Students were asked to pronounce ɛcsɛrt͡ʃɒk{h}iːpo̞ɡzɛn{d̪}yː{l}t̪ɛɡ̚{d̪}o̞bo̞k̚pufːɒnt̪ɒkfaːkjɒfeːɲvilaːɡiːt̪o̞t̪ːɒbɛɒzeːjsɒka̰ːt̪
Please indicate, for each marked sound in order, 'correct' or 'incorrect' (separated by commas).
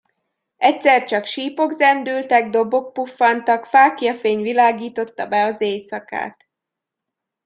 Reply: incorrect, correct, correct, correct